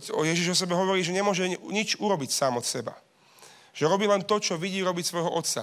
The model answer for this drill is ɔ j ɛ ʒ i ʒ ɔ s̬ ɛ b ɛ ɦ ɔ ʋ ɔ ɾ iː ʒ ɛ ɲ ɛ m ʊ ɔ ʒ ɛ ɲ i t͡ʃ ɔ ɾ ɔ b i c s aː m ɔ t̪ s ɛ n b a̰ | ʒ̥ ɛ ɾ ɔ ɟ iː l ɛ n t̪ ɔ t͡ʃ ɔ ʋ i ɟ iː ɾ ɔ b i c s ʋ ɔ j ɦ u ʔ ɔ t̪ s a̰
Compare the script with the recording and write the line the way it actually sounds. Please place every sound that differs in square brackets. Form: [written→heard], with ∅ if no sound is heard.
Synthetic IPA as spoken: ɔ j ɛ ʒ i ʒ ɔ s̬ ɛ b ɛ ɦ ɔ ʋ ɔ ɾ iː ʒ ɛ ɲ ɛ m ʊ ɔ ʒ ɛ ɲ i t͡ʃ [ɔ→u] ɾ ɔ b i c s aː m ɔ t̪ s ɛ [n→∅] b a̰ | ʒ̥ ɛ ɾ ɔ [ɟ→b] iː l ɛ n t̪ ɔ t͡ʃ ɔ ʋ i ɟ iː ɾ ɔ b i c s ʋ ɔ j ɦ [u→ɔ] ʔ ɔ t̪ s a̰